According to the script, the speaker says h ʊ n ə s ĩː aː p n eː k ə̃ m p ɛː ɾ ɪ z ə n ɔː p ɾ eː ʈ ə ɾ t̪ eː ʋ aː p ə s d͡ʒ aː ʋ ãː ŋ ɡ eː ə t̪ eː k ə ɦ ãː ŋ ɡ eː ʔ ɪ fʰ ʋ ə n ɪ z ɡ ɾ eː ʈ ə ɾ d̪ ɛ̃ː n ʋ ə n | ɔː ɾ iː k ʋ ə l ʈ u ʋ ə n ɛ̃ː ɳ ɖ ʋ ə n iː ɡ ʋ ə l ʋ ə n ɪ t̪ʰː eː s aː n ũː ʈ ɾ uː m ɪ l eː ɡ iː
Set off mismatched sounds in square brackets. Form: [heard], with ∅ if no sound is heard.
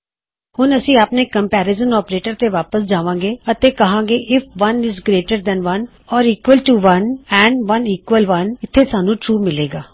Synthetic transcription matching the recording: h ʊ n ə s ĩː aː p n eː k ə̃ m p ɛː ɾ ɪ z ə n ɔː p ɾ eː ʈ ə ɾ t̪ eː ʋ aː p ə s d͡ʒ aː ʋ ãː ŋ ɡ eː ə t̪ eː k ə ɦ ãː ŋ ɡ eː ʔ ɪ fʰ ʋ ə n ɪ z ɡ ɾ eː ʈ ə ɾ d̪ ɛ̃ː n ʋ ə n | ɔː ɾ iː k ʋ ə l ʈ u ʋ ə n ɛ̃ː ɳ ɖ ʋ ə n iː [k] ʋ ə l ʋ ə n ɪ t̪ʰː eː s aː n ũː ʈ ɾ uː m ɪ l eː ɡ [aː]